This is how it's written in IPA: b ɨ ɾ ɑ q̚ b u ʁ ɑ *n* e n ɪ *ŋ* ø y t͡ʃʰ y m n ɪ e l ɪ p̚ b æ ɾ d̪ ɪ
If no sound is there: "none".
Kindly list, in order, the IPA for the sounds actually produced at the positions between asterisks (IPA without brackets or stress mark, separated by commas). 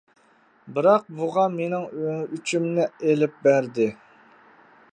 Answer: m, ŋ